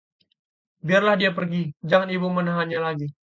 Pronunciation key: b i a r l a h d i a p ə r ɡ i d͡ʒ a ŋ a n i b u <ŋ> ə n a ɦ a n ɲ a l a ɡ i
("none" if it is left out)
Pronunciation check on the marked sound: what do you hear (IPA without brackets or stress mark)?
m